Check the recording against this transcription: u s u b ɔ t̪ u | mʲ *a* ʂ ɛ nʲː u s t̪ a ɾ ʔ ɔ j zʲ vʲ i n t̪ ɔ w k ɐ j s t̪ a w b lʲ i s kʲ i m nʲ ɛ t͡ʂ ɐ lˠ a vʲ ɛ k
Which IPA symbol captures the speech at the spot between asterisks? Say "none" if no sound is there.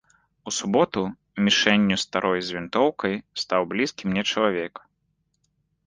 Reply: i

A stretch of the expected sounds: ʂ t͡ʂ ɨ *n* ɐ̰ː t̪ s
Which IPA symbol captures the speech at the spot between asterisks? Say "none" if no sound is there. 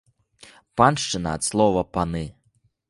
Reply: n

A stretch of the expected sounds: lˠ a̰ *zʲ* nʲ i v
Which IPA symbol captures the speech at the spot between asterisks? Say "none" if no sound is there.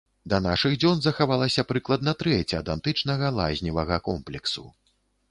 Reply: zʲ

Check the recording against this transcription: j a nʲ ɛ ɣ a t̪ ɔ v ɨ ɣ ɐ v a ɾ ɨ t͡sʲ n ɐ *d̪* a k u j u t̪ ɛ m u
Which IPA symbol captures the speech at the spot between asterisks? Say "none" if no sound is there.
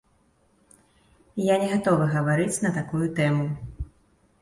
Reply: t̪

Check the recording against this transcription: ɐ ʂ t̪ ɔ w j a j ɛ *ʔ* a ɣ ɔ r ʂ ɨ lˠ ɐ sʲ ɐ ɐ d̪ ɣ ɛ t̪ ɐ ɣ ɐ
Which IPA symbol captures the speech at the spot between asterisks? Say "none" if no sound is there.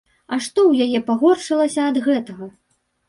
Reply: p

